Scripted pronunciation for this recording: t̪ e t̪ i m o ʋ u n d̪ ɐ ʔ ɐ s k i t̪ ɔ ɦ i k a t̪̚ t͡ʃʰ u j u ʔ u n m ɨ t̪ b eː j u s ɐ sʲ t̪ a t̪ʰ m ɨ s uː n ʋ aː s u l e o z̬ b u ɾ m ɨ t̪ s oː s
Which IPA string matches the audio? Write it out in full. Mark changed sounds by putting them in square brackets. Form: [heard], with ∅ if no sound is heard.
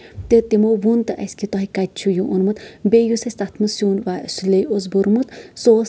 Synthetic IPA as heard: t̪ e t̪ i m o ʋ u n [t̪] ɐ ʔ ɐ s k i t̪ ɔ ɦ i k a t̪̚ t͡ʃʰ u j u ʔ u n m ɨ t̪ b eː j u s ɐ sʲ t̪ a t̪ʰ m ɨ s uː n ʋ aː s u l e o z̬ b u ɾ m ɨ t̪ s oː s